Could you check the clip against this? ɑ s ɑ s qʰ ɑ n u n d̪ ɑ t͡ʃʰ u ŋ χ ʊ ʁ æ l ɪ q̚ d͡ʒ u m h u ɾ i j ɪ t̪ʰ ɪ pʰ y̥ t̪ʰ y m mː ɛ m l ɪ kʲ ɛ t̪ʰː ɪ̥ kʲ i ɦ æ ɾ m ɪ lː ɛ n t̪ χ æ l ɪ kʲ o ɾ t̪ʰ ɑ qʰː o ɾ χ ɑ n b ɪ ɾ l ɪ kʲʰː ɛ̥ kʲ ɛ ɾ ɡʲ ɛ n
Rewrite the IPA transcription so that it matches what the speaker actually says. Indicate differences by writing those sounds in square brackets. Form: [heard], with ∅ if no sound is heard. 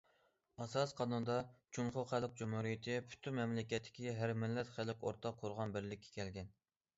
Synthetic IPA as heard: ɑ s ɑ s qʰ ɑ n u n d̪ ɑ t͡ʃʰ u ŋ χ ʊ [χ] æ l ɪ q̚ d͡ʒ u m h u ɾ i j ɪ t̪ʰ ɪ pʰ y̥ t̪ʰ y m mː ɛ m l ɪ kʲ ɛ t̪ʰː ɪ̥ kʲ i ɦ æ ɾ m ɪ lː ɛ [∅] t̪ χ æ l ɪ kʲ o ɾ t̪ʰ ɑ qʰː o ɾ [ʁ] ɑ n b ɪ ɾ l ɪ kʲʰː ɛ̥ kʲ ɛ [l] ɡʲ ɛ n